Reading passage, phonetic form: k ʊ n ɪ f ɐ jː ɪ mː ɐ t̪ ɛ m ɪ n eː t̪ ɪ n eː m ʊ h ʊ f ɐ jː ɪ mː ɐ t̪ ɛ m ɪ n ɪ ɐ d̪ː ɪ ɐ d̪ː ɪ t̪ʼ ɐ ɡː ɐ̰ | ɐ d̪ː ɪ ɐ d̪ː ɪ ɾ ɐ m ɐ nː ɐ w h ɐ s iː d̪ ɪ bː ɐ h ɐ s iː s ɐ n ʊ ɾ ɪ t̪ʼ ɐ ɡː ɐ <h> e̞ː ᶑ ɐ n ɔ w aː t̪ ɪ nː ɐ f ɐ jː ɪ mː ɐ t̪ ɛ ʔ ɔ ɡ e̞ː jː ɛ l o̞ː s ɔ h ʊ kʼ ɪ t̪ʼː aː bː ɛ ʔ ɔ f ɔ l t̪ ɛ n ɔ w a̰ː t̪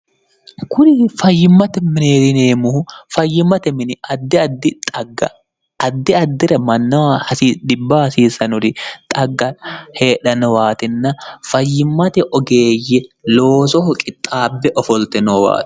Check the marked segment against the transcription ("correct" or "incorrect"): correct